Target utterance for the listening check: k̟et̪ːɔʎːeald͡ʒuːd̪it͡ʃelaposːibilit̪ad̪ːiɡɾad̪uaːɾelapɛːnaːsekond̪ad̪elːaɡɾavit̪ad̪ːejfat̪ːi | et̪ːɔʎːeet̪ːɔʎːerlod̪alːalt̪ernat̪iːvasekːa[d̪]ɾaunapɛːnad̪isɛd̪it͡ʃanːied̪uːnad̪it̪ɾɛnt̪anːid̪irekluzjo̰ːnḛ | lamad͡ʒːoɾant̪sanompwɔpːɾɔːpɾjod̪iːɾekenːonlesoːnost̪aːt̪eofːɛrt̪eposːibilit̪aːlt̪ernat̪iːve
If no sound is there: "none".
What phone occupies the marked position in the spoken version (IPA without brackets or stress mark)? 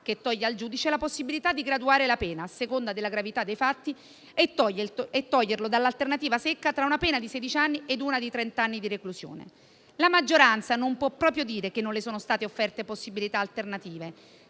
t̪